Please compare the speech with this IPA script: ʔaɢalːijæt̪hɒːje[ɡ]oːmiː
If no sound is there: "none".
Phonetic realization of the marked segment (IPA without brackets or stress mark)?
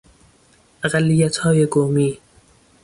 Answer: ɡ